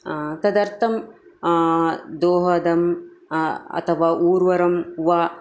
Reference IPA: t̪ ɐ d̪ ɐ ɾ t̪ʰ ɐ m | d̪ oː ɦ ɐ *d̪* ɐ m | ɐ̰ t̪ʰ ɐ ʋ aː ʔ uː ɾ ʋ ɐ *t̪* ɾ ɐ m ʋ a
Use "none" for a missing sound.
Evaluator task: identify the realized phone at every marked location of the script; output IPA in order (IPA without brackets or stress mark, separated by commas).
d̪, none